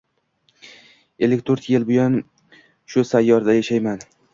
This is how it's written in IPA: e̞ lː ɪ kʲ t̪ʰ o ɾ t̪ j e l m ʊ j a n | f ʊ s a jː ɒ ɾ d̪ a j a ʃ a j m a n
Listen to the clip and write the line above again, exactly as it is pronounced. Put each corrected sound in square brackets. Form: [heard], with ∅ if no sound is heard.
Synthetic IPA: e̞ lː ɪ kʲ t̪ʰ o ɾ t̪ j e l [b] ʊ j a n | [ʃ] ʊ s a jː ɒ ɾ d̪ a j a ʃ a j m a n